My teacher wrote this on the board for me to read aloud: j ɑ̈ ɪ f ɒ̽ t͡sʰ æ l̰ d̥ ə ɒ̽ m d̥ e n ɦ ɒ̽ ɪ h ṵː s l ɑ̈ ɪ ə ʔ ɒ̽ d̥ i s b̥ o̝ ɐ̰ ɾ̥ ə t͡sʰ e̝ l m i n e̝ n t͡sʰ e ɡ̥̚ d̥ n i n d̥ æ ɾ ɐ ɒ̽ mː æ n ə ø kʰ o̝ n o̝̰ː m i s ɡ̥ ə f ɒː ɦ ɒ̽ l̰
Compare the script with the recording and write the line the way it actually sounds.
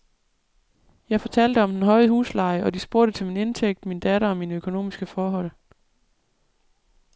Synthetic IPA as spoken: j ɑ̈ ɪ f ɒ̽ t͡sʰ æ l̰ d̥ ə ɒ̽ m d̥ e n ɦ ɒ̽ ɪ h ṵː s l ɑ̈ ɪ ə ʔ ɒ̽ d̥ i s b̥ o̝ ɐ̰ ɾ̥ ə t͡sʰ e̝ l m i n e̝ n t͡sʰ e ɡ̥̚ d̥ m i n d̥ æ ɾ ɐ ɒ̽ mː i n ə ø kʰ o̝ n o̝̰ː m i s ɡ̥ ə f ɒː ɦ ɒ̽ l̰